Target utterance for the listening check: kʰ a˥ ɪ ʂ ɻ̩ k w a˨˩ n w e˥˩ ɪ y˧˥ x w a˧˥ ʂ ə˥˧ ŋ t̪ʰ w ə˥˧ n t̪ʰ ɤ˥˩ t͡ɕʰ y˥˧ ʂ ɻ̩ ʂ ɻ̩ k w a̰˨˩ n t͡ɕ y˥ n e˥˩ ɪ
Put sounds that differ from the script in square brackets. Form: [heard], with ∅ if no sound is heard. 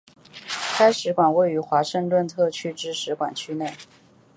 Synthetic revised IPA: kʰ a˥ ɪ ʂ ɻ̩ k w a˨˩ n w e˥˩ ɪ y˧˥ x w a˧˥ ʂ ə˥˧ ŋ [t̪] w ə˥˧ n t̪ʰ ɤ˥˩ t͡ɕʰ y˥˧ [ʈ͡ʂ] ɻ̩ ʂ ɻ̩ k w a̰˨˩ n [t͡ɕʰ] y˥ n e˥˩ ɪ